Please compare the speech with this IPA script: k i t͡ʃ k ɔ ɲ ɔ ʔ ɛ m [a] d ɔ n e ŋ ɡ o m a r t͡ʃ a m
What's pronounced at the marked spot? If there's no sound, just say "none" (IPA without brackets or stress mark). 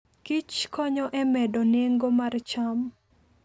ɛ